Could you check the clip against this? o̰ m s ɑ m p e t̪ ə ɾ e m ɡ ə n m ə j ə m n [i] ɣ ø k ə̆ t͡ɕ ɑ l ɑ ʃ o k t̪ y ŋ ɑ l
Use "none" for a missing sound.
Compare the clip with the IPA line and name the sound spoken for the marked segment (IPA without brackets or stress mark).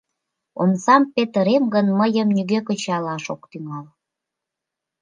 y